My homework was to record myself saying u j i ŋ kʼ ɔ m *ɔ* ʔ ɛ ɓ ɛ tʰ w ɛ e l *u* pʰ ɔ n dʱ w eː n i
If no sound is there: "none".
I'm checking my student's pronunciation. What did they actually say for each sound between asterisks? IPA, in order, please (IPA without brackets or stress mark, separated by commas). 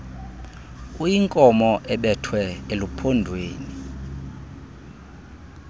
ɔ, u